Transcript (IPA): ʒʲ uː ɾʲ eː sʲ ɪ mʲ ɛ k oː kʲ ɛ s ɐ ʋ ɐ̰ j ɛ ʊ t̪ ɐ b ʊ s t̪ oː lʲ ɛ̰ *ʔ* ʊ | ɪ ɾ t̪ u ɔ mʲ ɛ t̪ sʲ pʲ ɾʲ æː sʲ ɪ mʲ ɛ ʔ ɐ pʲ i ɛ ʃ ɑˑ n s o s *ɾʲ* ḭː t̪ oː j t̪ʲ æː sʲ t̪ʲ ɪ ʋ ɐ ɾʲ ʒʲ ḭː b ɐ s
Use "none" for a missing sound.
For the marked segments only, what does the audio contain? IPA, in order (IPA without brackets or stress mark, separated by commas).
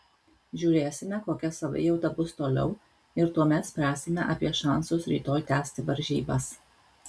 none, ɾʲ